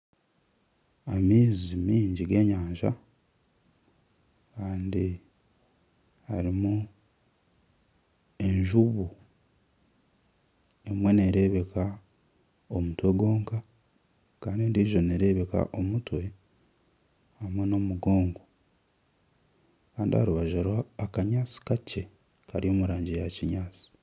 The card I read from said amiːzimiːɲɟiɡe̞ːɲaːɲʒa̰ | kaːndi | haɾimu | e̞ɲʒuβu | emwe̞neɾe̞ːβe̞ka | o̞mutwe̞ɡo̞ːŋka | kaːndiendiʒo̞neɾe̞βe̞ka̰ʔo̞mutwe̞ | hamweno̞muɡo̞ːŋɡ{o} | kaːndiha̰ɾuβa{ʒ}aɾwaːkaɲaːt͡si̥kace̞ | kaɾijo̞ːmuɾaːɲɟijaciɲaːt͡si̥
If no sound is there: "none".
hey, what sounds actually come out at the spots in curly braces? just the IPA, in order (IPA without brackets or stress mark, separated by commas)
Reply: o, ʒ